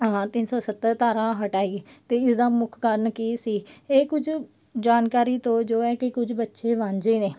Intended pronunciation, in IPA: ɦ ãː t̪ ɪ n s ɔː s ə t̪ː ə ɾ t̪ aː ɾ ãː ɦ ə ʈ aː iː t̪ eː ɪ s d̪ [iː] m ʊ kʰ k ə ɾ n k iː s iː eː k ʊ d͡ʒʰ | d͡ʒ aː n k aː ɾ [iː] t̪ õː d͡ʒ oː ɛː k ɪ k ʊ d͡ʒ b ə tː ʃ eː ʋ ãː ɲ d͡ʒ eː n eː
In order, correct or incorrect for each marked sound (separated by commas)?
incorrect, correct